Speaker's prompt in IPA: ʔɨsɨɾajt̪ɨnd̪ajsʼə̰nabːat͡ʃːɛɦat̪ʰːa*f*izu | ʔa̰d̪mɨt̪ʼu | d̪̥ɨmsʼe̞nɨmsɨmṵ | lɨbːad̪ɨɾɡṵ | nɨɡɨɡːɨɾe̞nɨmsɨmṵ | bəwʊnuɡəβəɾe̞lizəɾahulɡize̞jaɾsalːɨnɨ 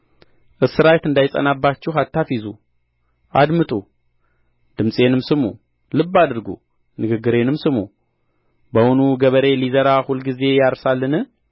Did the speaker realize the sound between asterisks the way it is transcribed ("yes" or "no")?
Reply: yes